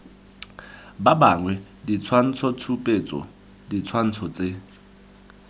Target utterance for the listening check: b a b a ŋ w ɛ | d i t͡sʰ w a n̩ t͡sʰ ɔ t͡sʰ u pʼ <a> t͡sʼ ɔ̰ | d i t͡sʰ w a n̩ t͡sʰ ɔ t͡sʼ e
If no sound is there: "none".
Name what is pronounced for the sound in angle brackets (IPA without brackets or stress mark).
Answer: e